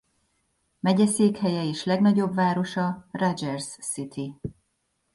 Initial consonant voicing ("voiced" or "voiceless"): voiced